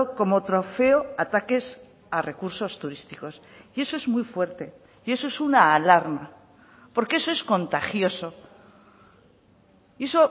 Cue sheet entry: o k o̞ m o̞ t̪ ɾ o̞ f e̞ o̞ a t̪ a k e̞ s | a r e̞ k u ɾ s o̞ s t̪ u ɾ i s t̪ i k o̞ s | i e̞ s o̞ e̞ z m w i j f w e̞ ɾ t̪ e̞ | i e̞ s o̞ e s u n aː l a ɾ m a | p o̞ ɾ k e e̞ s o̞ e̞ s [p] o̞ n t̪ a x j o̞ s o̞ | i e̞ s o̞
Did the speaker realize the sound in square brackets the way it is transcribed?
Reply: no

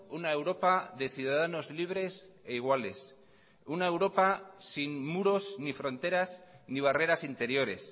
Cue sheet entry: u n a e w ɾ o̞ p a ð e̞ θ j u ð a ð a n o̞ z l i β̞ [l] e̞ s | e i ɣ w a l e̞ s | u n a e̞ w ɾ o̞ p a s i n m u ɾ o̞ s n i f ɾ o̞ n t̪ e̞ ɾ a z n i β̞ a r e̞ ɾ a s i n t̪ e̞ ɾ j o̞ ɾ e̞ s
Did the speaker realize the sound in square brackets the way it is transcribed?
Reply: no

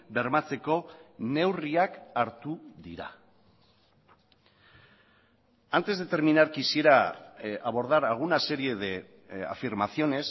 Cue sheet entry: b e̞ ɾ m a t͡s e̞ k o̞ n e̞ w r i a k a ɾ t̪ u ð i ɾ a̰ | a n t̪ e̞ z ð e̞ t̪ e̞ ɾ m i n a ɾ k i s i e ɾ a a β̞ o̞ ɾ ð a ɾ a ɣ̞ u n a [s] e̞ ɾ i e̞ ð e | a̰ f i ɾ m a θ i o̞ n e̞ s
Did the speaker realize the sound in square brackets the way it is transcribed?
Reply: yes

